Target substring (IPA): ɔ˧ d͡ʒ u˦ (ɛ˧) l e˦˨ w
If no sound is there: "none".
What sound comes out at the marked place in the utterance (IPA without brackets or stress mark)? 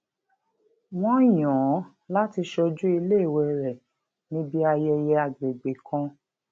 i˧